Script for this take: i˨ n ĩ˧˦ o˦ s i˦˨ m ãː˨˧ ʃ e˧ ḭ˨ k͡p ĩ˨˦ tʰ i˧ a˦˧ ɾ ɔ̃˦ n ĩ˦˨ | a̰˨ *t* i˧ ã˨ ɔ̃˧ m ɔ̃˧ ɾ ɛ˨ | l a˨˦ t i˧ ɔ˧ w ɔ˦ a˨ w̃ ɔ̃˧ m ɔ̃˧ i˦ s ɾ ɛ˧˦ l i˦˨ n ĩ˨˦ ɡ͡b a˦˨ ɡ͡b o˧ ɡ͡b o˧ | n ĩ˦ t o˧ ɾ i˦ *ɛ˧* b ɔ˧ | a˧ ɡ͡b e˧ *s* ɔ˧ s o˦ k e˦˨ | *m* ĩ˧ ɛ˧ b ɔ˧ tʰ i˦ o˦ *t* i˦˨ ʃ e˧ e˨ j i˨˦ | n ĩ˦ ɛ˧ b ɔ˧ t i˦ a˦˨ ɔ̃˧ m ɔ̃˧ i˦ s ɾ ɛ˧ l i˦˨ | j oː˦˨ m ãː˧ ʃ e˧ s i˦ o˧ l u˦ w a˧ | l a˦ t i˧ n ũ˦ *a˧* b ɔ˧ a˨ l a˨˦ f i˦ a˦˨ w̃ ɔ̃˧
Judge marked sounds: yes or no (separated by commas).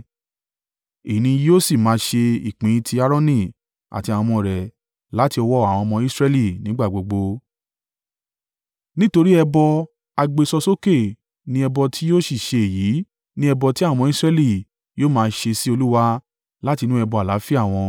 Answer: yes, yes, yes, no, no, no